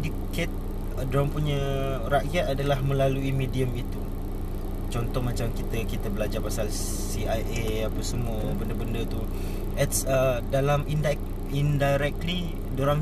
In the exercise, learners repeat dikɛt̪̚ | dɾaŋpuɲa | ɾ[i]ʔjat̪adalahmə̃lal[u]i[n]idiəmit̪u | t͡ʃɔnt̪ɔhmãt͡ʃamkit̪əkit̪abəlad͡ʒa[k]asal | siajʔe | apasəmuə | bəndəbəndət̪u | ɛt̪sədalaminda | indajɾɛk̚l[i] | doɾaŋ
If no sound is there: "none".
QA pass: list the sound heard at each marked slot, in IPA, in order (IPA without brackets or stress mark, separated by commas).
a, u, m, p, i